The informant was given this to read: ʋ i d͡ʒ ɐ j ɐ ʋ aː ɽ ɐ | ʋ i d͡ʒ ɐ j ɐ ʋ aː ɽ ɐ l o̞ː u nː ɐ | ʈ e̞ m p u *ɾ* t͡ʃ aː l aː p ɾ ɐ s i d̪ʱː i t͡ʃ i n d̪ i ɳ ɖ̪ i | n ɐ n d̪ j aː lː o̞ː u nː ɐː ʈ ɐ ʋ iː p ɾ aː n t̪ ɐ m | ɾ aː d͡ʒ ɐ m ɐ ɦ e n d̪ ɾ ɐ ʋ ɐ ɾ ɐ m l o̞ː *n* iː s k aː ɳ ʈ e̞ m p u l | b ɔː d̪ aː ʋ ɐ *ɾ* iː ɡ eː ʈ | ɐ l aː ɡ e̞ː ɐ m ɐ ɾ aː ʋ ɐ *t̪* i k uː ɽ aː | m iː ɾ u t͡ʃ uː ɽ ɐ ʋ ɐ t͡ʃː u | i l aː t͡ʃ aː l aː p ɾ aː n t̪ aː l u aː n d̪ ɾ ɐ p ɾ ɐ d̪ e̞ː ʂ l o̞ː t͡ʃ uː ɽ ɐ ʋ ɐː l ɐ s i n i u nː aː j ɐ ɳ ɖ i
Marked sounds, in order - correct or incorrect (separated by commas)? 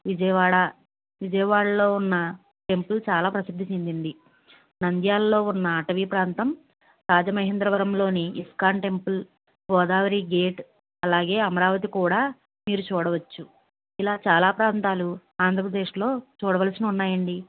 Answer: incorrect, correct, correct, correct